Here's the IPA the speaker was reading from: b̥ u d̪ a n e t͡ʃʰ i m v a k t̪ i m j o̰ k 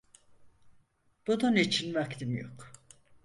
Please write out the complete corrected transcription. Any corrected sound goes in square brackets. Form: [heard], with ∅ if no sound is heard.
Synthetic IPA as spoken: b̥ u d̪ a n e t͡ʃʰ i [n] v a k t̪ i m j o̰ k